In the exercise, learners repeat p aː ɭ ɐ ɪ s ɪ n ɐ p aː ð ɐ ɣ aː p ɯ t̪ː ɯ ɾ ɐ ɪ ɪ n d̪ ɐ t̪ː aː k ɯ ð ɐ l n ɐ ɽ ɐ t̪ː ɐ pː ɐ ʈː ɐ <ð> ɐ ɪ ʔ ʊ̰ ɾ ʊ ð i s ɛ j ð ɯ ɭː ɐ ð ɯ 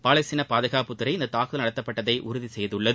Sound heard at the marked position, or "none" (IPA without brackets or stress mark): ð